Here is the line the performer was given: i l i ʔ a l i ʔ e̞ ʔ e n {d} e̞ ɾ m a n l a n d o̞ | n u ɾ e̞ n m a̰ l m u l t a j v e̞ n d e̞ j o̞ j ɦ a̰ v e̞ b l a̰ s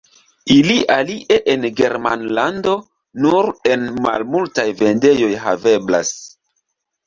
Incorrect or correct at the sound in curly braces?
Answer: incorrect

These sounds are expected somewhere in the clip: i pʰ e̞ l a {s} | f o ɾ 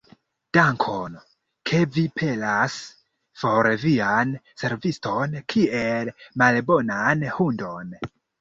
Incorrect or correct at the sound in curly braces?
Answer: correct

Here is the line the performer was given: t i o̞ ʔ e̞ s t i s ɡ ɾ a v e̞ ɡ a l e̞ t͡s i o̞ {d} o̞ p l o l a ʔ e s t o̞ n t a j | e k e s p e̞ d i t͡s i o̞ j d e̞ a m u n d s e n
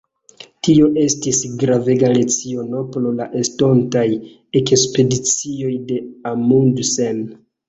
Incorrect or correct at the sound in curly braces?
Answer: incorrect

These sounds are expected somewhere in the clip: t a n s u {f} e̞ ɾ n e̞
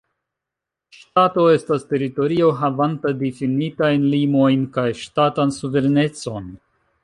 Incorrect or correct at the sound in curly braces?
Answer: incorrect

